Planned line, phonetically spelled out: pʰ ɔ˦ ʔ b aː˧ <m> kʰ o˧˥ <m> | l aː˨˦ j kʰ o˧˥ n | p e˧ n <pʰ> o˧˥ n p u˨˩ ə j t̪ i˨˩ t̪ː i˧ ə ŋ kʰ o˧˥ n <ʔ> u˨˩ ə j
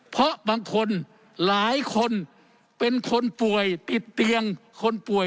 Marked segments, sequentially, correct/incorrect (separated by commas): incorrect, incorrect, incorrect, incorrect